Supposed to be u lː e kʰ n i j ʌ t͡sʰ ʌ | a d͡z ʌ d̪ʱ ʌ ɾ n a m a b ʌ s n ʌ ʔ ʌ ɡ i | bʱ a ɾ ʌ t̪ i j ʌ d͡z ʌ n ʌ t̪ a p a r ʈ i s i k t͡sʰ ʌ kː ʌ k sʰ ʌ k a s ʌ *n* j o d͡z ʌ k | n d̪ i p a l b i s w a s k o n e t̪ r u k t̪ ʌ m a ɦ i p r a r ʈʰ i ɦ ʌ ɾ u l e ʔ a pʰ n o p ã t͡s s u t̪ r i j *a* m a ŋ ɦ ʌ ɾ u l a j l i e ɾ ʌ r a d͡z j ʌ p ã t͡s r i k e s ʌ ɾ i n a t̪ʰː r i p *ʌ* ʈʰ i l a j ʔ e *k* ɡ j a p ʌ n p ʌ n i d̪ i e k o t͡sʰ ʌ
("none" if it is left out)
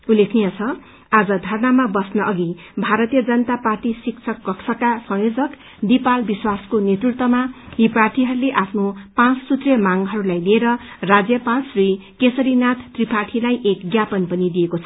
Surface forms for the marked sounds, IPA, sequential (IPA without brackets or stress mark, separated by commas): ŋ, ʌ, a, k